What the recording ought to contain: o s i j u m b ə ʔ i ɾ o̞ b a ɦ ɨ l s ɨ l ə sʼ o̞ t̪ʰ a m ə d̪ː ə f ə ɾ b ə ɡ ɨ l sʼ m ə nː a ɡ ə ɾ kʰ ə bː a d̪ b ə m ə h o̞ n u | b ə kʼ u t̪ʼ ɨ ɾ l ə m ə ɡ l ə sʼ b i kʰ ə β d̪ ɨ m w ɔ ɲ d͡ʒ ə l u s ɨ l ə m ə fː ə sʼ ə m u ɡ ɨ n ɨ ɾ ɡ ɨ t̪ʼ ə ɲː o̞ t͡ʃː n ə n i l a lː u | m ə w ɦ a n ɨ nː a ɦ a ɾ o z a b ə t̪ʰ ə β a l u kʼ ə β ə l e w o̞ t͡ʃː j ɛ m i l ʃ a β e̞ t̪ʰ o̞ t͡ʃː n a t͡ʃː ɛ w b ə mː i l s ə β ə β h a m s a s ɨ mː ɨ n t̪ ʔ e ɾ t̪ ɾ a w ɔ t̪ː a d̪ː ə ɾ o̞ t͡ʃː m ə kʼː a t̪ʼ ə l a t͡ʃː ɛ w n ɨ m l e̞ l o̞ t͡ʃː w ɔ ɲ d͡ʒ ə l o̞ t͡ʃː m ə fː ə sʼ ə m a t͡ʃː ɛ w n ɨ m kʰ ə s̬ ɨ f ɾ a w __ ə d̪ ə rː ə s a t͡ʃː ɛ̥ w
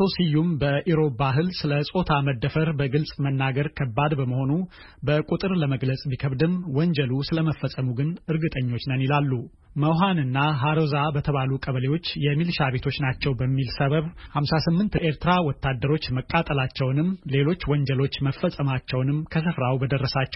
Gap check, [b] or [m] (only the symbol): b